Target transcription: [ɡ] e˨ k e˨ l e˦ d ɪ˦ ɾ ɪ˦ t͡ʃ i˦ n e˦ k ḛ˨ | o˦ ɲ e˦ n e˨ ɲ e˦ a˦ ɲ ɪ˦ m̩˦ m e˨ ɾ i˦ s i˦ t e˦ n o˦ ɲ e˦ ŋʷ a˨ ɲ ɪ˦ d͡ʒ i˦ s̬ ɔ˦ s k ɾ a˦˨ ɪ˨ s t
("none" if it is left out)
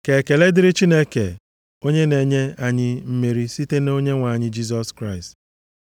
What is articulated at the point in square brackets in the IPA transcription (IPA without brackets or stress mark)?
k